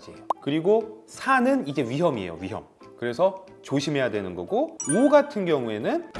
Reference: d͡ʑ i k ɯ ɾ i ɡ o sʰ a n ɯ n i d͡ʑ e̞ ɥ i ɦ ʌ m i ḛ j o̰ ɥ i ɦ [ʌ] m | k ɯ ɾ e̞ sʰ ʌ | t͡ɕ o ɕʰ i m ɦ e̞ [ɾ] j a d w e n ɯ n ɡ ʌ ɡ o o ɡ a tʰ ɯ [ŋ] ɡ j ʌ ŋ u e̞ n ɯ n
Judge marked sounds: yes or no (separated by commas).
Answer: yes, no, no